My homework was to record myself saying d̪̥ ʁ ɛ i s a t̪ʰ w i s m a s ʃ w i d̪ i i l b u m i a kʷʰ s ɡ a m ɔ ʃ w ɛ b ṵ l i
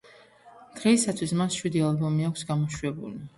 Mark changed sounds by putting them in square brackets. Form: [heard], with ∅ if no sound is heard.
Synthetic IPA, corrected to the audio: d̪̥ ʁ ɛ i s a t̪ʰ w i s m a s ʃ w i d̪ i [a] l b [ɔ] m i a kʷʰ s ɡ a m ɔ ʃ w ɛ b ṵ l i